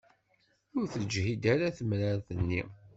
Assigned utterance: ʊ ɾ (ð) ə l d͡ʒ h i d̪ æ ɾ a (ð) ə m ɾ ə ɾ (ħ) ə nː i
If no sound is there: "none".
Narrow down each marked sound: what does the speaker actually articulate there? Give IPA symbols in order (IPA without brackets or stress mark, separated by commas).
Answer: θ, θ, θ